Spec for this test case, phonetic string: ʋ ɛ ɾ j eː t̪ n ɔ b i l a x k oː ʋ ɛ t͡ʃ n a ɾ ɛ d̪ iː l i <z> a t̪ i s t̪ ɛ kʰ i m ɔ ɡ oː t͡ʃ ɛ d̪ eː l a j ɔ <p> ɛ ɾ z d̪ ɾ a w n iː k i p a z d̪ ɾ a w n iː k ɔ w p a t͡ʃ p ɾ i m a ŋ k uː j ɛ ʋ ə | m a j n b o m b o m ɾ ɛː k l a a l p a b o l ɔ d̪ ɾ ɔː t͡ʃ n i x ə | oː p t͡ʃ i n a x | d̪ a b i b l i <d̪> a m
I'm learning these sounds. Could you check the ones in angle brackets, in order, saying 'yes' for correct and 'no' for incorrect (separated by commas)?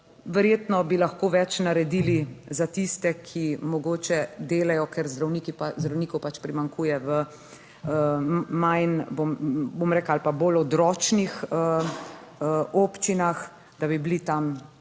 yes, no, no